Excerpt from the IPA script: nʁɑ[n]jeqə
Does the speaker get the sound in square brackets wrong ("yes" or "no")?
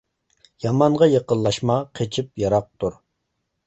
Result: yes